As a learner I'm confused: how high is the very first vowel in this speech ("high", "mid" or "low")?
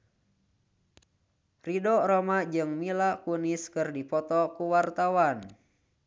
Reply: high